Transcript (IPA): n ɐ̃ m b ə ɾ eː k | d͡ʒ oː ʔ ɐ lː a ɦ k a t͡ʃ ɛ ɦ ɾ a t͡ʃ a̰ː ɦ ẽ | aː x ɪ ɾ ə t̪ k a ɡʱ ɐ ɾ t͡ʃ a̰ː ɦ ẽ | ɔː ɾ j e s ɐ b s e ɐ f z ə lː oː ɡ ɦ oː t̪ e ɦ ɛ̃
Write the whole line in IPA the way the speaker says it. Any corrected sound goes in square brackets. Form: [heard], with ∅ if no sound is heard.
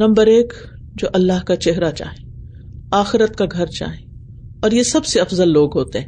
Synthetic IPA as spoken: n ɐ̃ m b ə ɾ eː k | d͡ʒ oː ʔ ɐ lː a ɦ k a t͡ʃ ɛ ɦ ɾ a t͡ʃ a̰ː ɦ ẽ | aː x ɪ ɾ ə t̪ k a ɡʱ ɐ ɾ t͡ʃ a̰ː ɦ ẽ | ɔː ɾ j e s ɐ b s e ɐ f z ə lː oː ɡ ɦ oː t̪ e ɦ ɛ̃